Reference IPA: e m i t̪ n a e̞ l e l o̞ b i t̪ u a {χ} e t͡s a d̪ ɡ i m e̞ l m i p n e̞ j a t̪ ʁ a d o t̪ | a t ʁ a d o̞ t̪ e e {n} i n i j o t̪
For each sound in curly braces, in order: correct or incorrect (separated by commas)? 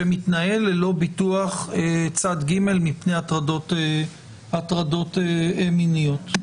correct, incorrect